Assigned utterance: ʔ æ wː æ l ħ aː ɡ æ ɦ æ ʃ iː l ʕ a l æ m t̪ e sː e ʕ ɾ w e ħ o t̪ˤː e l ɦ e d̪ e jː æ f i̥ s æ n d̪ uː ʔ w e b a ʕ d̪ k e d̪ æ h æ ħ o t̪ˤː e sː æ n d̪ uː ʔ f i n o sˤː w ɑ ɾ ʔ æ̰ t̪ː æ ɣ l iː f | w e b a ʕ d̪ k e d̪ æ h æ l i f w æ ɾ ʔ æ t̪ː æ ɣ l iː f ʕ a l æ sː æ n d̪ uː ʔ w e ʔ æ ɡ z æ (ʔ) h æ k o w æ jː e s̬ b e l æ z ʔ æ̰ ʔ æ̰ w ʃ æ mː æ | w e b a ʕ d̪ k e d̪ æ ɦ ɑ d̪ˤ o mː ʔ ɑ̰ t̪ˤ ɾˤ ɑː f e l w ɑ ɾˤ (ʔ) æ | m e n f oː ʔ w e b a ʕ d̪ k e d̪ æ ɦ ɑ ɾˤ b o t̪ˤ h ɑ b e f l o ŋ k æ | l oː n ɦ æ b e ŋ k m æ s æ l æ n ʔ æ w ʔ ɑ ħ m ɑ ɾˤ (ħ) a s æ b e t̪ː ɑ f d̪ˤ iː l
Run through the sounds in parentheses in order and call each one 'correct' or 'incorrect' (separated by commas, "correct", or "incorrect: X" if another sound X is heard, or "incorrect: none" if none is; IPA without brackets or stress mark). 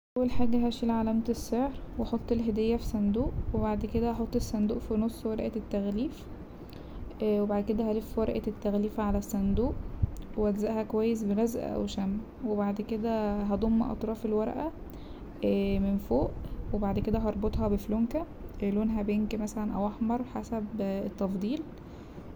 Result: correct, correct, correct